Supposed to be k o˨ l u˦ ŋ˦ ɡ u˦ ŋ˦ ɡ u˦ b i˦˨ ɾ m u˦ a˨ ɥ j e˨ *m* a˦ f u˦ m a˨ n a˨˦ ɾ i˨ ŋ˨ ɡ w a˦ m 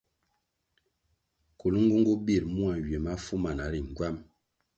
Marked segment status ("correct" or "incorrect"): correct